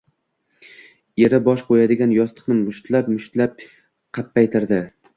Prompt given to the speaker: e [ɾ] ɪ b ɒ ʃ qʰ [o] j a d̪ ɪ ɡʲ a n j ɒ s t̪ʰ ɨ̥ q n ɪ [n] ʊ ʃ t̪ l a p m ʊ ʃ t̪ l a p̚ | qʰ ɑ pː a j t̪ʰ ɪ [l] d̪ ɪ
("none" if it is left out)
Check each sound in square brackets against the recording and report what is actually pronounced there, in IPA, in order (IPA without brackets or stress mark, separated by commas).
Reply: ɾ, o, m, ɾ